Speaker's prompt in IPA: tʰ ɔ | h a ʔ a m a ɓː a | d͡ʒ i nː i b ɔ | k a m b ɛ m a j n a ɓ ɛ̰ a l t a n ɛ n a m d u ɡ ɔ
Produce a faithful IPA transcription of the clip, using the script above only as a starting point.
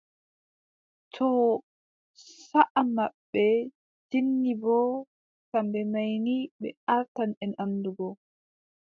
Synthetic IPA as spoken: tʰ ɔ | s a ʔ a m a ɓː ɛ | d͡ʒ i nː i b ɔ | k a m b ɛ m a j n i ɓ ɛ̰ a ɾ t a n ɛ n a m d u ɡ ɔ